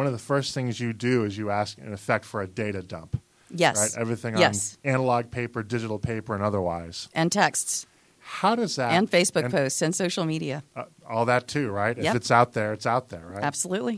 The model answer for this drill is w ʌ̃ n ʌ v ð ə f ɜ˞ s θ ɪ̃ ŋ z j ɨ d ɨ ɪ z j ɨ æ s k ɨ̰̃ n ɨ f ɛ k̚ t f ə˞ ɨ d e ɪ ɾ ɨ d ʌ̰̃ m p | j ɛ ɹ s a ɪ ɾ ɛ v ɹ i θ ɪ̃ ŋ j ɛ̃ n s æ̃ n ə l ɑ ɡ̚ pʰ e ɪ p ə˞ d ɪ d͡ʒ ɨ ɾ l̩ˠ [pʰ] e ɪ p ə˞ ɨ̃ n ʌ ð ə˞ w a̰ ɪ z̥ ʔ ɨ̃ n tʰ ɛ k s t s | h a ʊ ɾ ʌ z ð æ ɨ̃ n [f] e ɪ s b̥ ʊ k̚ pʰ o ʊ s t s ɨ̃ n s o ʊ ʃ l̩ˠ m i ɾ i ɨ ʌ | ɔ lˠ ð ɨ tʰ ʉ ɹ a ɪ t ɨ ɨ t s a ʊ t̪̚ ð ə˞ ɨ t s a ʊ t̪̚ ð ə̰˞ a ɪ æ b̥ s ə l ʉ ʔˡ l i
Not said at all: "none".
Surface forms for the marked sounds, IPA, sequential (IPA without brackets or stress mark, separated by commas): pʰ, f